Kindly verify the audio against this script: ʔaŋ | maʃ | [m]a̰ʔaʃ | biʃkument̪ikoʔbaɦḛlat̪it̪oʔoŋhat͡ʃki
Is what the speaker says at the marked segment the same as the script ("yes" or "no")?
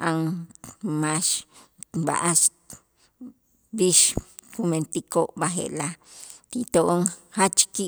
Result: no